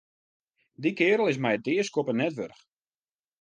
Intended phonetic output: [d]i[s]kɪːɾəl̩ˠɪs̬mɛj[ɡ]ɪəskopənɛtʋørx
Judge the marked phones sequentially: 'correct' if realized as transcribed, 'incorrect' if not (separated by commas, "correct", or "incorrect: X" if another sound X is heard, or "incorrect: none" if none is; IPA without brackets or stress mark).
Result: correct, incorrect: none, incorrect: d